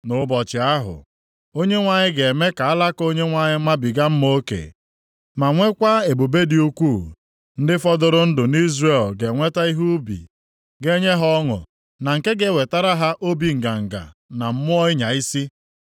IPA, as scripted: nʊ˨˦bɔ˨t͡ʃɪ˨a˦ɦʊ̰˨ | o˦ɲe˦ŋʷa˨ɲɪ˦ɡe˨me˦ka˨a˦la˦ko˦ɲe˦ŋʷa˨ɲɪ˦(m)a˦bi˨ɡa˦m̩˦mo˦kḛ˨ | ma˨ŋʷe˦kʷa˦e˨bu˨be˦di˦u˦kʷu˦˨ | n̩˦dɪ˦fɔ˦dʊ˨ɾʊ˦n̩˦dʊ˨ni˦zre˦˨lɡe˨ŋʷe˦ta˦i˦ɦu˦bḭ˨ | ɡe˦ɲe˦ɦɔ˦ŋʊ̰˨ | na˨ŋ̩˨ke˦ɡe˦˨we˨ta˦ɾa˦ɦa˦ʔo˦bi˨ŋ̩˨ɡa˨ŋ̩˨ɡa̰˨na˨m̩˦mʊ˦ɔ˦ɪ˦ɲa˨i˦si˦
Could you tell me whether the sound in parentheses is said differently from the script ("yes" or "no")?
no